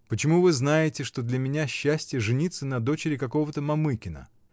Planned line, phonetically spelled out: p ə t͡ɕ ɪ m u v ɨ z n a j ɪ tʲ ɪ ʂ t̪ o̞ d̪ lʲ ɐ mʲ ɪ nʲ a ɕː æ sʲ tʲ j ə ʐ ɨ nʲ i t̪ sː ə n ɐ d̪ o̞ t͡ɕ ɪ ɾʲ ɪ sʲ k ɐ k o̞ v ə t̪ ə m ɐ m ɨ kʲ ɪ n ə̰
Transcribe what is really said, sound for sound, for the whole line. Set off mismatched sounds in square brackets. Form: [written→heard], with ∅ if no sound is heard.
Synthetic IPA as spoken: p ə t͡ɕ ɪ m u v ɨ z n a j ɪ tʲ ɪ ʂ t̪ o̞ d̪ lʲ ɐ mʲ ɪ nʲ a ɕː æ sʲ tʲ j ə ʐ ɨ nʲ i t̪ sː ə n ɐ d̪ o̞ t͡ɕ ɪ ɾʲ ɪ [sʲ→∅] k ɐ k o̞ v ə t̪ ə m ɐ m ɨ kʲ ɪ n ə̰